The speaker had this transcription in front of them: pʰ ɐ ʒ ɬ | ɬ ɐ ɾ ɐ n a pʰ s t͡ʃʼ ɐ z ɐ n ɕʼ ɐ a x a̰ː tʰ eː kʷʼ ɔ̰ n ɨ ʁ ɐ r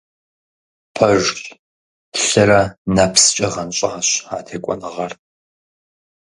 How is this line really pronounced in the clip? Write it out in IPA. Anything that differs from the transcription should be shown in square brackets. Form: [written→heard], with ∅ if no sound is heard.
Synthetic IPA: pʰ ɐ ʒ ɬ | ɬ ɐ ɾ ɐ n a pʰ s t͡ʃʼ ɐ [z→ʁ] ɐ n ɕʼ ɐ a [x→ɕ] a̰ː tʰ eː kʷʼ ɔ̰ n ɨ ʁ ɐ r